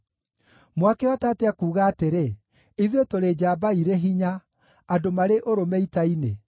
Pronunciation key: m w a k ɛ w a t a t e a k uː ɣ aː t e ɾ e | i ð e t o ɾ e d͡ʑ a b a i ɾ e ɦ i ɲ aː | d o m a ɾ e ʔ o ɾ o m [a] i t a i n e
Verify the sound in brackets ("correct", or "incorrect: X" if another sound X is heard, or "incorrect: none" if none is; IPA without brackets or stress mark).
incorrect: ɛ